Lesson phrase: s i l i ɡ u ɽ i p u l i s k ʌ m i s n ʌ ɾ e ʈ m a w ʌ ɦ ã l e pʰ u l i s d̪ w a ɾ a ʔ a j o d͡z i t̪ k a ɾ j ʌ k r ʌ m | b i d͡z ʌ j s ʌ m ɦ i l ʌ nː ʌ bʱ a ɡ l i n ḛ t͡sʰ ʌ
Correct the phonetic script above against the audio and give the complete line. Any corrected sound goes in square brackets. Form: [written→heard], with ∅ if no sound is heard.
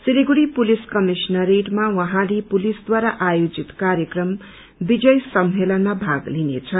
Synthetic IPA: s i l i ɡ u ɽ i p u l i s k ʌ m i s n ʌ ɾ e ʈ m a w ʌ ɦ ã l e [pʰ→p] u l i s d̪ w a ɾ a ʔ a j o d͡z i t̪ k a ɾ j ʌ k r ʌ m | b i d͡z ʌ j s ʌ m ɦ [i→e] l ʌ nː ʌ bʱ a ɡ l i n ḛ t͡sʰ ʌ